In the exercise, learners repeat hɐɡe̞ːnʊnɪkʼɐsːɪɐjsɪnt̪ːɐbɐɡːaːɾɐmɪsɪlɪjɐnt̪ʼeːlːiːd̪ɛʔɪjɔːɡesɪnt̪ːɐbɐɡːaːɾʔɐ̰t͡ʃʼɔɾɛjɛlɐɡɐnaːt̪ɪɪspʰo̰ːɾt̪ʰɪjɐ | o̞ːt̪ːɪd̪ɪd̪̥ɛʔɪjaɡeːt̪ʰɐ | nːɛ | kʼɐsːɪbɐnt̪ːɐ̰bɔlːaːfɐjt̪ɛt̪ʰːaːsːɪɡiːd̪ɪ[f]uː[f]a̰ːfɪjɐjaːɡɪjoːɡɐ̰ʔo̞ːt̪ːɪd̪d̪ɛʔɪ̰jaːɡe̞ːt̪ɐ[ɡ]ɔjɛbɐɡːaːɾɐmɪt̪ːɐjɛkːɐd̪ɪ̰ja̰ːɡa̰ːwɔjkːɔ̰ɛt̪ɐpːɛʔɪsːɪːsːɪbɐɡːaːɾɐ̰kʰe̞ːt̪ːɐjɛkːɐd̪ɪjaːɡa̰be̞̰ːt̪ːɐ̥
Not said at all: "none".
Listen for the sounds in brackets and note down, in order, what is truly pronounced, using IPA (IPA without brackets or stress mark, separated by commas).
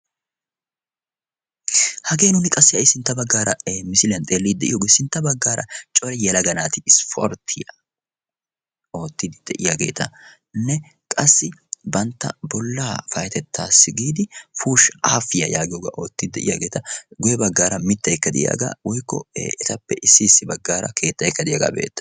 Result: f, ʃ, ɡ